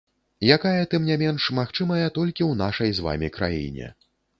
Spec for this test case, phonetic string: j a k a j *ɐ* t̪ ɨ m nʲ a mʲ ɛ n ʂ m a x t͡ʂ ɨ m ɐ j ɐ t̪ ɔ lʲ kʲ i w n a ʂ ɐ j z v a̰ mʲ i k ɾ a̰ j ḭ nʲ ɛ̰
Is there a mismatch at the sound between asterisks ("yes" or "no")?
no